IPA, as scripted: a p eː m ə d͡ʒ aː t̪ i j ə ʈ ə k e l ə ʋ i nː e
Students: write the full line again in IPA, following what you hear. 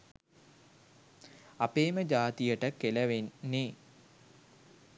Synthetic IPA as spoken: a p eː m ə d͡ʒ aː t̪ i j ə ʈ ə k e l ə ʋ e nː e